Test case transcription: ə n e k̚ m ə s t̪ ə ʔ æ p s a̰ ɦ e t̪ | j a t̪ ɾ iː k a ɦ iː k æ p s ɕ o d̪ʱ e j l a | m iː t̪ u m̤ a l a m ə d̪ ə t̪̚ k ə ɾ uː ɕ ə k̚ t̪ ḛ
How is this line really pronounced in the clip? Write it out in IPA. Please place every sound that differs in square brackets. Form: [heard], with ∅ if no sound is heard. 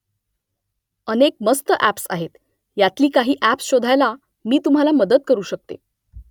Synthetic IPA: ə n e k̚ m ə s t̪ ə ʔ æ p s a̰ ɦ e t̪ | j a t̪ [l] iː k a ɦ iː [ʔ] æ p s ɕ o d̪ʱ [a] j l a | m iː t̪ u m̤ a l a m ə d̪ ə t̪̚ k ə ɾ uː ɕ ə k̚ t̪ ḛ